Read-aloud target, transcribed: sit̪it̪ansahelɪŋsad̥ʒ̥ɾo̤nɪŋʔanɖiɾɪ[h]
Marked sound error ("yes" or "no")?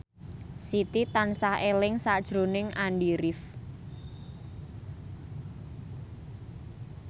yes